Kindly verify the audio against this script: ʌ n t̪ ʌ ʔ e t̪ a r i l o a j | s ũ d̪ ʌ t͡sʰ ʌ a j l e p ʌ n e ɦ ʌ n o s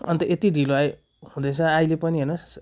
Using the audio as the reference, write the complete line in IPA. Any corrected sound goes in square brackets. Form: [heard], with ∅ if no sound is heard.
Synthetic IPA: ʌ n t̪ ʌ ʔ e t̪ [i] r i l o a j | [h] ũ d̪ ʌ t͡sʰ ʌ a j l e p ʌ n [i] ɦ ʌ n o s